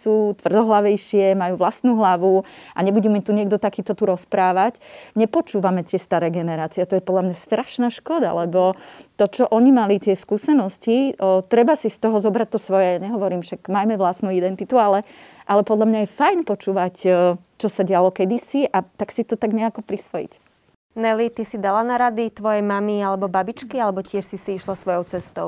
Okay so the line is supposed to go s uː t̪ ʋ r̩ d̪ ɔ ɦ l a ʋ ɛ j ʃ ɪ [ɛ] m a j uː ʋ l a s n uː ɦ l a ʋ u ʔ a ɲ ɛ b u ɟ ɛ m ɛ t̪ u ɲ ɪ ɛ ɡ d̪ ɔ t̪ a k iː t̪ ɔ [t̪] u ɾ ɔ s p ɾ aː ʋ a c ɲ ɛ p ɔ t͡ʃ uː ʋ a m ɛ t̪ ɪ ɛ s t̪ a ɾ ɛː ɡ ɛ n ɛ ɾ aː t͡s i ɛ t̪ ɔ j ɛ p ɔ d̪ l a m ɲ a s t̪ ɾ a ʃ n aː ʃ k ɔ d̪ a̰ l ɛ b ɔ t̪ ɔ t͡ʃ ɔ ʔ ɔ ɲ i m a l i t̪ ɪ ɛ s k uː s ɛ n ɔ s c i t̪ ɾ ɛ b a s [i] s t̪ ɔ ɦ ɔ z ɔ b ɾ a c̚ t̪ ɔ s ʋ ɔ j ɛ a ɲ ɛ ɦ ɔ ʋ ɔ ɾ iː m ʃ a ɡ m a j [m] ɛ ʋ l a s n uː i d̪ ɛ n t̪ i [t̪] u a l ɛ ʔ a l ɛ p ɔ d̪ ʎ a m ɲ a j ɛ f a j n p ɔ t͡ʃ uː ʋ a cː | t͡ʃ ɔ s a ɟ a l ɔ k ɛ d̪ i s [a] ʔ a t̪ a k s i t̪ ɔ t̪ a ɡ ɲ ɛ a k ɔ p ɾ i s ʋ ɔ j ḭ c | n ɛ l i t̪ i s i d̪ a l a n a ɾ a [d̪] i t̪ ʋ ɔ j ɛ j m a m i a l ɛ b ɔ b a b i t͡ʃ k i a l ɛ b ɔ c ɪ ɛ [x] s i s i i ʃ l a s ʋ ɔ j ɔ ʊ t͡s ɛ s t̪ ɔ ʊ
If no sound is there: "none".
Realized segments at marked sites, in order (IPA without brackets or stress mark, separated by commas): ɛ, t̪, i, m, t̪, i, d̪, ʃ